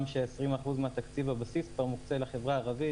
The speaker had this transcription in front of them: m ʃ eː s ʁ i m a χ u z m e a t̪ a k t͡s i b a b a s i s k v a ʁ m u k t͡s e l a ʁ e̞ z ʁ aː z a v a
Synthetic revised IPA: m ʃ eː s ʁ i m a χ u z m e a t̪ a k t͡s i v a b a s i s k v a ʁ m u k t͡s e l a χ e̞ v ʁ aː ʁ a v i